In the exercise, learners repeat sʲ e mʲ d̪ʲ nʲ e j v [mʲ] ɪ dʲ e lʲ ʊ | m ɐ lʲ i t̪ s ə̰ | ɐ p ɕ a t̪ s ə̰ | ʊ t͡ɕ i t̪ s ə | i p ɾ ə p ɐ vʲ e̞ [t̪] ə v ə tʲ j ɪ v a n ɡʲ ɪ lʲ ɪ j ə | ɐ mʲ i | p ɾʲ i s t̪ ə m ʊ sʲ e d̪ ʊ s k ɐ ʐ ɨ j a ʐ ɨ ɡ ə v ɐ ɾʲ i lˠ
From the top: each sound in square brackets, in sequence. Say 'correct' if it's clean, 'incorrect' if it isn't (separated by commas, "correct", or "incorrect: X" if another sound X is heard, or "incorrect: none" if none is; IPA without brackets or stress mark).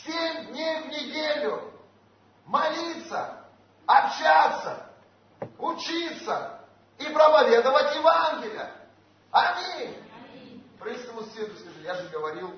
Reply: incorrect: nʲ, incorrect: d̪